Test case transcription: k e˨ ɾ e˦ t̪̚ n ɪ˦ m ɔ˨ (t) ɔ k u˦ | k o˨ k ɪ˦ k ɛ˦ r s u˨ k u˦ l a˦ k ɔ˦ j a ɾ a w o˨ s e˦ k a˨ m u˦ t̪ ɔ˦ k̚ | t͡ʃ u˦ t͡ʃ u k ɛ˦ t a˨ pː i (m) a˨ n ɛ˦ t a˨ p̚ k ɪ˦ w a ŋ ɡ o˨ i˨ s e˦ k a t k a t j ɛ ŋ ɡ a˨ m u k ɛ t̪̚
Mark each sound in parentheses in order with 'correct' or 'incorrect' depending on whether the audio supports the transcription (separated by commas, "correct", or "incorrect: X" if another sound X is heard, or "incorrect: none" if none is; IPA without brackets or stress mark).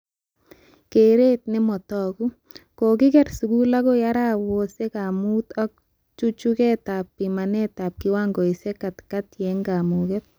correct, correct